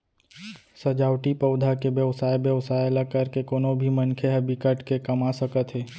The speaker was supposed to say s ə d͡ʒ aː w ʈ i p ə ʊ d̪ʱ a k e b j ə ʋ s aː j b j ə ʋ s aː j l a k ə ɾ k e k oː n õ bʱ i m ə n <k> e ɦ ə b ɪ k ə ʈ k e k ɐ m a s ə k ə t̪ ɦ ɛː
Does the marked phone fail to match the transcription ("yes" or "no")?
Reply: yes